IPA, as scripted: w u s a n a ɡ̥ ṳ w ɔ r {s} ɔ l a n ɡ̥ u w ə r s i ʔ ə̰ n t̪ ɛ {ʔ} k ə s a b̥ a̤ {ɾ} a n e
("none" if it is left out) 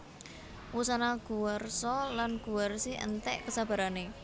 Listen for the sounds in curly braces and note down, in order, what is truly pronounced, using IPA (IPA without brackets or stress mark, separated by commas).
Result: s, ʔ, ɾ